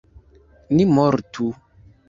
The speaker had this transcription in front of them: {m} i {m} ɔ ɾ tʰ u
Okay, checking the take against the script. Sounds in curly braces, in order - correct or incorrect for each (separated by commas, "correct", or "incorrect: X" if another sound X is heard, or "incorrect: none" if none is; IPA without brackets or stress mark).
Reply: incorrect: n, correct